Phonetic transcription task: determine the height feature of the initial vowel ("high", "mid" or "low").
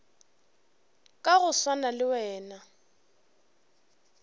low